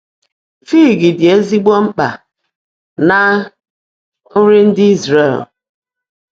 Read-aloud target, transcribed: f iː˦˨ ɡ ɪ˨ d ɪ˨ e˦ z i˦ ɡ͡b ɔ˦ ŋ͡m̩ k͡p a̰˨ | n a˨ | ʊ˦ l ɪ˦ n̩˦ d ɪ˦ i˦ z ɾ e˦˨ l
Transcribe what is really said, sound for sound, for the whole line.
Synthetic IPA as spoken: f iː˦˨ ɡ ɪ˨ d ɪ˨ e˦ z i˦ ɡ͡b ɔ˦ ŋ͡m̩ k͡p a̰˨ | n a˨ | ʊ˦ ɾ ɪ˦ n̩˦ d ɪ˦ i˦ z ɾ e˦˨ l

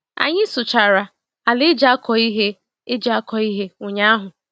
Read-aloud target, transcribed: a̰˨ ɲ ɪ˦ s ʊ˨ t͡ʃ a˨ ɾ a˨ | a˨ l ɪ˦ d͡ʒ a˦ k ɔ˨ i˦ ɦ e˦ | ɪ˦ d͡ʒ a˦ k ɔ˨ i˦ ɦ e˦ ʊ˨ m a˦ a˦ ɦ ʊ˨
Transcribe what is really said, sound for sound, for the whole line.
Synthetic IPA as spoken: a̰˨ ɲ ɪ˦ s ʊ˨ t͡ʃ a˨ ɾ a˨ | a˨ l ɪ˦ d͡ʒ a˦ k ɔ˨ i˦ ɦ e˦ | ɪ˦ d͡ʒ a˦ k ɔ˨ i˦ ɦ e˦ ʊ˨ ɲ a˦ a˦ ɦ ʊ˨

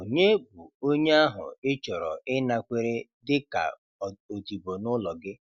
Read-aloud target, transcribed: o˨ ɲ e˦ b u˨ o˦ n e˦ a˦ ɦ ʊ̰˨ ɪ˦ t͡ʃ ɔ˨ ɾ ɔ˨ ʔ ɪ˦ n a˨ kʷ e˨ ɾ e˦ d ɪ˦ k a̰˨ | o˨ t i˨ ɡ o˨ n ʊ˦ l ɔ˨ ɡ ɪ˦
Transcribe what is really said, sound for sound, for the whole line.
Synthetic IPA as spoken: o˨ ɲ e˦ b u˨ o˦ ɲ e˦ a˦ ɦ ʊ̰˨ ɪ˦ t͡ʃ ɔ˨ ɾ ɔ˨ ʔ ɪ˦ n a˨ kʷ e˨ ɾ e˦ d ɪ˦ k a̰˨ | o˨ t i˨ b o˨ n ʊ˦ l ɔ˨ ɡ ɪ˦

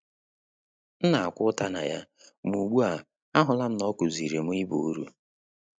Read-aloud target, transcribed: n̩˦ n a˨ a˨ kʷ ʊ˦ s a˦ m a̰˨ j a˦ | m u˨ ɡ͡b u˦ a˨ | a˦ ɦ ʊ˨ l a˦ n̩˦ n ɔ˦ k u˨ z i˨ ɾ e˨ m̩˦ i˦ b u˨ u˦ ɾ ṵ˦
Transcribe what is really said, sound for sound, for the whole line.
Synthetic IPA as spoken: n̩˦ n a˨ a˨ kʷ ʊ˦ t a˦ n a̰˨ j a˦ | m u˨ ɡ͡b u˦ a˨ | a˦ ɦ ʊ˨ l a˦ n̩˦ n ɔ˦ k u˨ z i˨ ɾ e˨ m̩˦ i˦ b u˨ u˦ ɾ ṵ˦

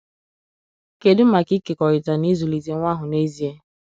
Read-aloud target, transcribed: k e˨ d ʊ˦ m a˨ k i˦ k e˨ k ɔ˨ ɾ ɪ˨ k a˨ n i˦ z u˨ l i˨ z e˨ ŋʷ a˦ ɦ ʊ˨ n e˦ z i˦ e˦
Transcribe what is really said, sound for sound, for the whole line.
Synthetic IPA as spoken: k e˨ d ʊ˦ m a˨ k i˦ k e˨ k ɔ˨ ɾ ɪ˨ t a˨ n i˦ z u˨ l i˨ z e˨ ŋʷ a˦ ɦ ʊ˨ n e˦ z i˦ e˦

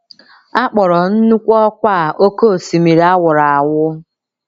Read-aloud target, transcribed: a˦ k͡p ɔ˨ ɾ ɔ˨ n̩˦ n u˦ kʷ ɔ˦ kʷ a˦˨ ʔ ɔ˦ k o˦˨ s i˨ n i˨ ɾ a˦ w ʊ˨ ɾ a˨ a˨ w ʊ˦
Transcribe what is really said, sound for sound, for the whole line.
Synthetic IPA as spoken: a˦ k͡p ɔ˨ ɾ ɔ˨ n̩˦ n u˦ kʷ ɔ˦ kʷ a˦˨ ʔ o˦ k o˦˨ s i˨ m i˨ ɾ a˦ w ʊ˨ ɾ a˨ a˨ w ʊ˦

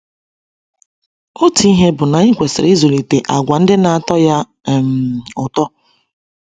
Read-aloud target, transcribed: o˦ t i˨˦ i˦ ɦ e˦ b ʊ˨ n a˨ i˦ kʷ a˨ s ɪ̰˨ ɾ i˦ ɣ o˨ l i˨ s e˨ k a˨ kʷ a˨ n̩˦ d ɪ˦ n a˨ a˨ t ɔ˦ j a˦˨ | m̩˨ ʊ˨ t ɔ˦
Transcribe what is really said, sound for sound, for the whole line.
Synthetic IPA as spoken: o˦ t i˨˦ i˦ ɦ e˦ b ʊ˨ n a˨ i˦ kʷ e˨ s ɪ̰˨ ɾ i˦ z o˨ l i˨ t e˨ ʔ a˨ ɡʷ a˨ n̩˦ d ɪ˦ n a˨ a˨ t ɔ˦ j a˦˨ | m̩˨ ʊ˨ t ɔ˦

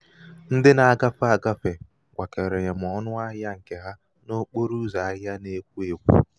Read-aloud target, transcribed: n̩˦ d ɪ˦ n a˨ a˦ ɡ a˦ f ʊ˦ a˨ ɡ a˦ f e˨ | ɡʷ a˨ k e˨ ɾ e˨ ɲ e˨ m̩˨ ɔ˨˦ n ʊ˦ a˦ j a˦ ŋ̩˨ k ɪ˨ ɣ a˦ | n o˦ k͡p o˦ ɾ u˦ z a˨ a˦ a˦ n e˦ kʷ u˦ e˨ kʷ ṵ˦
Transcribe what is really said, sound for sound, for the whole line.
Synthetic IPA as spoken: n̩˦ d ɪ˦ n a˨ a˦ ɡ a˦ f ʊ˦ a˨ ɡ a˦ f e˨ | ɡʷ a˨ k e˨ ɾ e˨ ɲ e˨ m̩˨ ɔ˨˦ n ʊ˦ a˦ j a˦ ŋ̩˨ k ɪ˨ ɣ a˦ | n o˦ k͡p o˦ ɾ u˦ z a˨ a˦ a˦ n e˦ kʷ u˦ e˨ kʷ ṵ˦

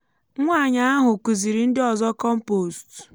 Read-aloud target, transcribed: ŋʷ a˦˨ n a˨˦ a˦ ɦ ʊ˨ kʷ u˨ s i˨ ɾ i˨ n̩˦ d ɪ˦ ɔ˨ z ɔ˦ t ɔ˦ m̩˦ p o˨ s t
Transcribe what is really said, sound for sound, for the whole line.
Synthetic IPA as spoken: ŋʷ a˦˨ ɲ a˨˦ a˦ ɦ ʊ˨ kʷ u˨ z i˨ ɾ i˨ n̩˦ d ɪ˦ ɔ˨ z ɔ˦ k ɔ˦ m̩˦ p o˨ s t

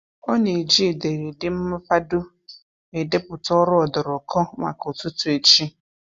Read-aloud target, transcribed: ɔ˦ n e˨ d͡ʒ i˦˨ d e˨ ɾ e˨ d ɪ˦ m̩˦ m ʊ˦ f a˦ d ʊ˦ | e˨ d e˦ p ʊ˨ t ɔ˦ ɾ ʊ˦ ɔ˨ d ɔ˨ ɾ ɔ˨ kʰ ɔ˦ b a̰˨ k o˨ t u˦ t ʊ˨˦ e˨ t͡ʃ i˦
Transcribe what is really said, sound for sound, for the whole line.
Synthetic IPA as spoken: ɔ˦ n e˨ d͡ʒ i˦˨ d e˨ ɾ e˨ d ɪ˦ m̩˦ m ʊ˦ f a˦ d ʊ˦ | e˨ d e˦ p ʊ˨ t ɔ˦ ɾ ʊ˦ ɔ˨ d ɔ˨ ɾ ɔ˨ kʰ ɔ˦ m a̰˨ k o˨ t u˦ t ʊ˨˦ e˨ t͡ʃ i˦

